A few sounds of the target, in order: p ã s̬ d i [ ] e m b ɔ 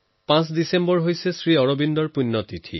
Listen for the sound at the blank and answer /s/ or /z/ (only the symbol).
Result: s